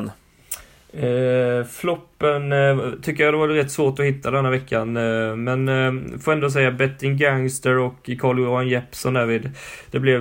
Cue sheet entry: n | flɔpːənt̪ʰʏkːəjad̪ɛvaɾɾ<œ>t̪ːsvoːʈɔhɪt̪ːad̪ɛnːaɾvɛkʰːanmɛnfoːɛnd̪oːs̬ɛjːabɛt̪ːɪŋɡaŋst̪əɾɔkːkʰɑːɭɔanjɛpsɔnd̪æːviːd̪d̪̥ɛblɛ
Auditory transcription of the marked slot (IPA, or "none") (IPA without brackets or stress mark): ɛ